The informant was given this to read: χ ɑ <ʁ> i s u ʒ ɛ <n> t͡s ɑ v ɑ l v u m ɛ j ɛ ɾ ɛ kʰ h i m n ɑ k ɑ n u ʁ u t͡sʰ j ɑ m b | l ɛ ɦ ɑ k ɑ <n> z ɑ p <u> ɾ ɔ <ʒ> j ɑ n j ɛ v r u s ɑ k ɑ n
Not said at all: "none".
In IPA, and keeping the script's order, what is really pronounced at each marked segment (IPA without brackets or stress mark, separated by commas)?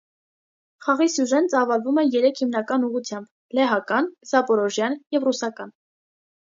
ʁ, n, n, ɔ, ʒ